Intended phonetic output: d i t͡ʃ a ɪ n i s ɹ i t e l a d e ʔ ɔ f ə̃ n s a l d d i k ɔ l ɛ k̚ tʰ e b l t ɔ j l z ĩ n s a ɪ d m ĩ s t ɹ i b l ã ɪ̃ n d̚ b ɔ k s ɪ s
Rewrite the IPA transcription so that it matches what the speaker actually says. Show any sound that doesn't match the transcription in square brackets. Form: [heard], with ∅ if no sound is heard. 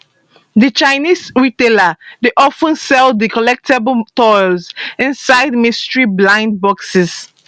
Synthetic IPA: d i t͡ʃ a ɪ n i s ɹ i t e l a d e ʔ ɔ f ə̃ n s [ɛ] l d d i k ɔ l ɛ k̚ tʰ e b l t ɔ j l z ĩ n s a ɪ d m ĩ s t ɹ i b l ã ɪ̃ n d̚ b ɔ k s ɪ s